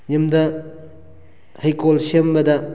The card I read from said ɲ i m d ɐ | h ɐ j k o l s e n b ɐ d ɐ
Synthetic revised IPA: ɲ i m d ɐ | h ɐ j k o l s e m b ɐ d ɐ